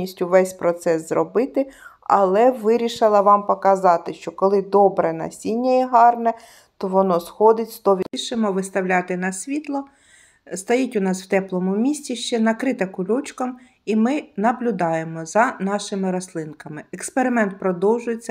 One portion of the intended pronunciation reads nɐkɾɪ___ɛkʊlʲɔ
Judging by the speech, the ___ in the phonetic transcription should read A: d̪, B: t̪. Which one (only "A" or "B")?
B